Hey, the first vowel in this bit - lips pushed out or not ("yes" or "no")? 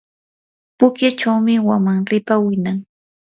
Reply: yes